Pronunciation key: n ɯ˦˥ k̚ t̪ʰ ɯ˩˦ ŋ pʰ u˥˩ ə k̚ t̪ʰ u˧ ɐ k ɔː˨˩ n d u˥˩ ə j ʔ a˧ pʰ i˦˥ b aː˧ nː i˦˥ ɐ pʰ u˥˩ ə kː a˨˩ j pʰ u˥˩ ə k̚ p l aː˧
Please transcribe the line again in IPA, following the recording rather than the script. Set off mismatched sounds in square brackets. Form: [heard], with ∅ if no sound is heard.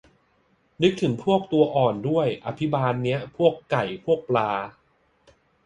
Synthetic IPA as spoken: n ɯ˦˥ k̚ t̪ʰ ɯ˩˦ ŋ pʰ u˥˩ ə k̚ [t̪] u˧ ɐ [ʔ] ɔː˨˩ n d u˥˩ ə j ʔ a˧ pʰ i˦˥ b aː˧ nː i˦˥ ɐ pʰ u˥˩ ə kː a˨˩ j pʰ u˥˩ ə k̚ p l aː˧